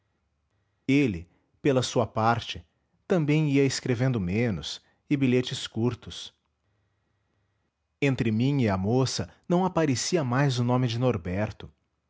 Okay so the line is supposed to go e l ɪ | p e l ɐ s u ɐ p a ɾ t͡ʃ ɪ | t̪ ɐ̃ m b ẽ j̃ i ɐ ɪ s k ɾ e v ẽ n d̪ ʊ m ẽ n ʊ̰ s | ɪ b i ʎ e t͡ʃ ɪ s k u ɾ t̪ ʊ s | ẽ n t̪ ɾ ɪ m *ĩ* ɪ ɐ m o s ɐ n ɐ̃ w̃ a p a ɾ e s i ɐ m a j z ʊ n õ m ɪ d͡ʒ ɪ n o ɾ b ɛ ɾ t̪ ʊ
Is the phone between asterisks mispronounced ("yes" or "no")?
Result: no